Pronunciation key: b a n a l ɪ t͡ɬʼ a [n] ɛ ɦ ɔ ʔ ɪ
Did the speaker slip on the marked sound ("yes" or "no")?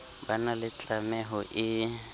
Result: yes